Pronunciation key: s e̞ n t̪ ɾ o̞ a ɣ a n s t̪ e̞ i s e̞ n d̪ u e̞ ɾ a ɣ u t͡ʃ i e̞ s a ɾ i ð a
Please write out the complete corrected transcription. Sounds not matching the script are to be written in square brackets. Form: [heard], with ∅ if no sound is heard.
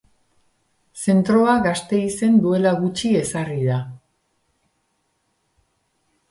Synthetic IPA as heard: s e̞ n t̪ ɾ o̞ a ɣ a [∅] s t̪ e̞ i s e̞ n d̪ u e̞ [l] a ɣ u t͡ʃ i e̞ s a [r] i ð a